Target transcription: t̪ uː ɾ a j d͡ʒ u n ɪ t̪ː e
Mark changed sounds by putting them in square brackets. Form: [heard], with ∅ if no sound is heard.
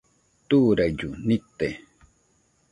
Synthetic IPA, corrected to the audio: t̪ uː ɾ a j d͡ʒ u n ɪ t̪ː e